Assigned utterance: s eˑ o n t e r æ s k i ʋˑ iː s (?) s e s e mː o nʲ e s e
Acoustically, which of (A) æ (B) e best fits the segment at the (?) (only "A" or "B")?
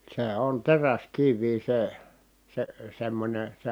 B